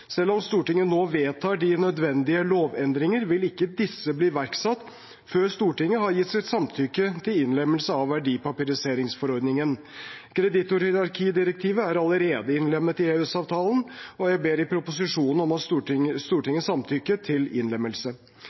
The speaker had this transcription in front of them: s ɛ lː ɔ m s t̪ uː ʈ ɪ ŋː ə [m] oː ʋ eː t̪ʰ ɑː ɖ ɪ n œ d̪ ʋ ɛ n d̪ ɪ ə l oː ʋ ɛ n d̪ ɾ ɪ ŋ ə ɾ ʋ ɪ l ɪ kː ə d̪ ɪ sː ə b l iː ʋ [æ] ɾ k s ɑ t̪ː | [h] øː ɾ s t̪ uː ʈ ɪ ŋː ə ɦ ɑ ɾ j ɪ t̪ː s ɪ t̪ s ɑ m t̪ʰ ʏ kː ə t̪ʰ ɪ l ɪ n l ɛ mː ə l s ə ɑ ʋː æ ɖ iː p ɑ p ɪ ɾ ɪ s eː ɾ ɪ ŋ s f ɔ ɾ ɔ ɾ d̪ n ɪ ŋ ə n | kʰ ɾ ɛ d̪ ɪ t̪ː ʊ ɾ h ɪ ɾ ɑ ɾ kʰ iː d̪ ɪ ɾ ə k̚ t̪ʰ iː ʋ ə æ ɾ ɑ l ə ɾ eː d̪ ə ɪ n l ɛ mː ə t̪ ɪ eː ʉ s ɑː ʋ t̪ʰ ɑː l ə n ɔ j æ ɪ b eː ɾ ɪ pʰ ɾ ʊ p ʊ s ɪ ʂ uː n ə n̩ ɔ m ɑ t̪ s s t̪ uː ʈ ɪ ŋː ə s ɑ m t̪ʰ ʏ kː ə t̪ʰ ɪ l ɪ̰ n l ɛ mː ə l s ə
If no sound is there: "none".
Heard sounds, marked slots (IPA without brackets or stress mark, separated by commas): n, æ, f